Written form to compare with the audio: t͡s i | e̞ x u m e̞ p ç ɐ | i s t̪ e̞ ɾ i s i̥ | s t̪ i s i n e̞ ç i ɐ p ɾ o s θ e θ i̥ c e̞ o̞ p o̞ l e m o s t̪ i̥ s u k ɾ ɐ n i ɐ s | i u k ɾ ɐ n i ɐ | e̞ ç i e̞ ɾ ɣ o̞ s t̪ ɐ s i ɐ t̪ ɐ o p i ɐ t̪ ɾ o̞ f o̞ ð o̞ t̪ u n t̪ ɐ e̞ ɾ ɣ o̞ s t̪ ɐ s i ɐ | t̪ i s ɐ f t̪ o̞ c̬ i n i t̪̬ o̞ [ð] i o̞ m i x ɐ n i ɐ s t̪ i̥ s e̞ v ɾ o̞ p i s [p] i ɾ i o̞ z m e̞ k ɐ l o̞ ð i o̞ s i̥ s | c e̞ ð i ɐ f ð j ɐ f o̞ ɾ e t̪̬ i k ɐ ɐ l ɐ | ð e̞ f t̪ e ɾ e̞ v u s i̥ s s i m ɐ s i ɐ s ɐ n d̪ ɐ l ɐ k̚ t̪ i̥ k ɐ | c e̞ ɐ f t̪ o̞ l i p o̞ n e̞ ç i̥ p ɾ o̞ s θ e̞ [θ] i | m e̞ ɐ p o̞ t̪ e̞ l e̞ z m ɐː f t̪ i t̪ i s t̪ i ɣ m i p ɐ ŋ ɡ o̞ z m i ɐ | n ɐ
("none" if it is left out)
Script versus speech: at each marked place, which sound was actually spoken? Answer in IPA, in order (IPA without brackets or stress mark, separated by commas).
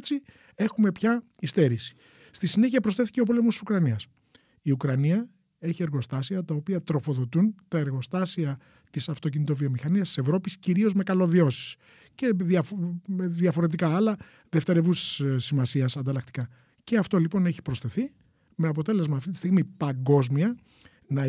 v, c, θ